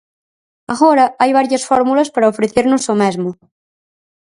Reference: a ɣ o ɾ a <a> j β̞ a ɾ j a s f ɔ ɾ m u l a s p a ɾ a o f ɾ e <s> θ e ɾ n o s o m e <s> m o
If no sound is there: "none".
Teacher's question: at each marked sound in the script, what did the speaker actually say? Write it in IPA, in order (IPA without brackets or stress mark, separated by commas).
a, none, z